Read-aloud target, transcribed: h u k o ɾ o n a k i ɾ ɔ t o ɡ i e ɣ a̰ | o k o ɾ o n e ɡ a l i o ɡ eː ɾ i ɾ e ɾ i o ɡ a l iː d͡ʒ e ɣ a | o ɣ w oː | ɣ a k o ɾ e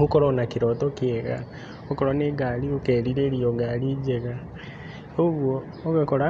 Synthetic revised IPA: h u k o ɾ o n a k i ɾ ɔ t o k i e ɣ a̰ | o k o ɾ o n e ɡ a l i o k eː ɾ i ɾ e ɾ i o ɡ a l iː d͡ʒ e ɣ a | o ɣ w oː | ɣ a k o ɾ a